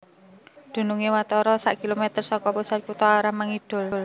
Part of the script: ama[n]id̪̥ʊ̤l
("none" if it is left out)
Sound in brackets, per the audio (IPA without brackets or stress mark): ŋ